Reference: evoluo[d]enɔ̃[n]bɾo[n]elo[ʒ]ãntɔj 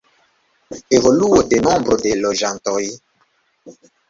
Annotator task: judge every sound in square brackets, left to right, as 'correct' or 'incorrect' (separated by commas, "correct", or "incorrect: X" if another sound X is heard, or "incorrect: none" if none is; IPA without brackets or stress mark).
correct, incorrect: m, incorrect: d, correct